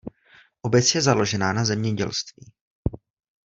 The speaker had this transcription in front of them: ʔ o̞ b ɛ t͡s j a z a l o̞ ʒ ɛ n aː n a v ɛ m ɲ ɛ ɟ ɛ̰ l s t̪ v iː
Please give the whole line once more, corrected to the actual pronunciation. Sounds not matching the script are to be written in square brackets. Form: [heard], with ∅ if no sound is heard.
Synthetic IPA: ʔ o̞ b ɛ t͡s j [ɛ] z a l o̞ ʒ ɛ n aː n a [z] ɛ m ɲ ɛ ɟ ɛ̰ l s t̪ v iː